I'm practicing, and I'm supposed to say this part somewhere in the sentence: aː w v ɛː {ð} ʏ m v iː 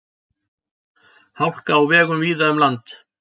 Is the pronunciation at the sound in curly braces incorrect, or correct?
incorrect